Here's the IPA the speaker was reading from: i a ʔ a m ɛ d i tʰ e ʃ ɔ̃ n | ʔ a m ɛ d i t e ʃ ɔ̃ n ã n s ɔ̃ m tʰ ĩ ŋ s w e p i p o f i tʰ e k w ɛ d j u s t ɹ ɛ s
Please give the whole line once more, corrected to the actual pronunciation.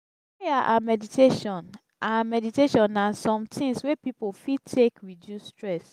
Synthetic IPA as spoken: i a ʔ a m ɛ d i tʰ e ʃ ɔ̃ n | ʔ a m ɛ d i t e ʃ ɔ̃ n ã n s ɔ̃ m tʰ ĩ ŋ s w e p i p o f i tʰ e k w i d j u s t ɹ ɛ s